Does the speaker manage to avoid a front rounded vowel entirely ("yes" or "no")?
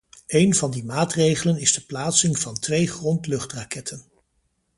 yes